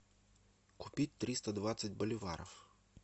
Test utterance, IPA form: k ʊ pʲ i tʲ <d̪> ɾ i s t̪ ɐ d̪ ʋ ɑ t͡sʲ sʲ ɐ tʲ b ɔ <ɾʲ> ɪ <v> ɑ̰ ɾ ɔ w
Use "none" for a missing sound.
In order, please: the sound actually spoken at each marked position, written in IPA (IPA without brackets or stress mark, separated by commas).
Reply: t̪, lʲ, ʋ